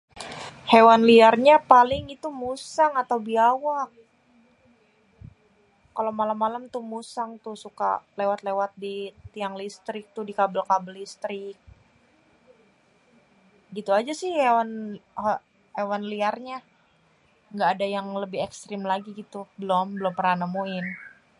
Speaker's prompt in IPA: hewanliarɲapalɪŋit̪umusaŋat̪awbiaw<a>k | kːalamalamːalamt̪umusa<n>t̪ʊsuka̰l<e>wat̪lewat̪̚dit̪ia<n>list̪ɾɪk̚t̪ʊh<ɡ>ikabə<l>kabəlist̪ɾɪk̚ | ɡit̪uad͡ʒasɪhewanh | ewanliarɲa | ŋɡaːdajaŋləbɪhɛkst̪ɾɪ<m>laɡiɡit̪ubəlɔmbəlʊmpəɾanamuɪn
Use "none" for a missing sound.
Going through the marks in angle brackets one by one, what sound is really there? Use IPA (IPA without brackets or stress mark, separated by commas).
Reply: a, ŋ, e, ŋ, d, l, m